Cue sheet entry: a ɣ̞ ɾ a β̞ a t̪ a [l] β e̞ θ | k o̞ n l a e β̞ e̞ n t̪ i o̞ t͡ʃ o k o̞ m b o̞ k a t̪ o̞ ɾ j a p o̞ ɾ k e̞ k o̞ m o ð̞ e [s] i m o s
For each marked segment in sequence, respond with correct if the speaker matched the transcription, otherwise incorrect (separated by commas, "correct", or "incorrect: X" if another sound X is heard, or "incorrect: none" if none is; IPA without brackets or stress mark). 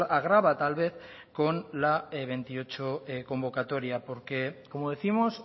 correct, incorrect: θ